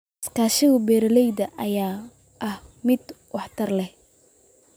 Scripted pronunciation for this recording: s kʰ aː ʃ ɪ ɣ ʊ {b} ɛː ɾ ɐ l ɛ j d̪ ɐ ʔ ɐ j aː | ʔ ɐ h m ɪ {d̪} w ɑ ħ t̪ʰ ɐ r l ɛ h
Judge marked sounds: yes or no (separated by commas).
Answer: yes, yes